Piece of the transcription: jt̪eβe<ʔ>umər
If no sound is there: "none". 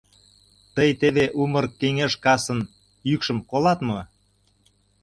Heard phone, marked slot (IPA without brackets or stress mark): ʔ